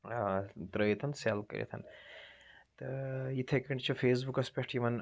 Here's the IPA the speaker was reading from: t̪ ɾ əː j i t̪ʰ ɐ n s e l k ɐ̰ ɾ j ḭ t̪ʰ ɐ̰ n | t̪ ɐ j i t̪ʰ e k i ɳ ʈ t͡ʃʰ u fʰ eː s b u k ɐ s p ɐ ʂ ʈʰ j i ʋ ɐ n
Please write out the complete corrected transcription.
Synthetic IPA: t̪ ɾ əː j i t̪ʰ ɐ n s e l k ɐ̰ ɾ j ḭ t̪ʰ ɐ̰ n | t̪ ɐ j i t̪ʰ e k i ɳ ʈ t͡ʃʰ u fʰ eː s b u k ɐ s p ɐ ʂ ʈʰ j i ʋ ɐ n

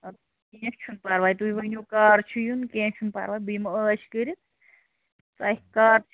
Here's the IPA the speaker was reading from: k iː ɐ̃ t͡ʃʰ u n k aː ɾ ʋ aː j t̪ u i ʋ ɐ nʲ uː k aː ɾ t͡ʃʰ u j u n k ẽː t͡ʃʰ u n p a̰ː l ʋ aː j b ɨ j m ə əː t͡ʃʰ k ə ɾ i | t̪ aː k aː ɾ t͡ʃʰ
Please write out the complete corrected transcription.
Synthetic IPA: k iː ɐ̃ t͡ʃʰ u n p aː ɾ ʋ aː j t̪ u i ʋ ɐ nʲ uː k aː ɾ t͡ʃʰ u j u n k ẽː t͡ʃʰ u n p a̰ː ɾ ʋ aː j b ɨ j m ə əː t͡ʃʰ k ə ɾ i | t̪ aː k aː ɾ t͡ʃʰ

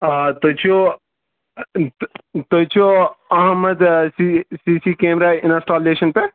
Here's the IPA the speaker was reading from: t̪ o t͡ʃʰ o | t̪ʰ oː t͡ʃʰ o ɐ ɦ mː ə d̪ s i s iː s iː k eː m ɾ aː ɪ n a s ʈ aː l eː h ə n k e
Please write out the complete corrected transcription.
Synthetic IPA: t̪ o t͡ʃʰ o | t̪ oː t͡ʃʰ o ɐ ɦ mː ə d̪ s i s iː s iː k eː m ɾ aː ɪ n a s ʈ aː l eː ʃ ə n p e

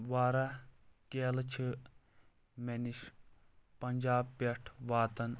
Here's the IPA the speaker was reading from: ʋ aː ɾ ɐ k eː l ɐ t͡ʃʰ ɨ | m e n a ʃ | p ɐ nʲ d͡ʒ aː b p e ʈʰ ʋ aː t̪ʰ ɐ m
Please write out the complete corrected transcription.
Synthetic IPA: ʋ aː ɾ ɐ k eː l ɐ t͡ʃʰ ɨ | m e n i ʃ | p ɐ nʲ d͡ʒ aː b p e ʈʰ ʋ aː t̪ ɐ n

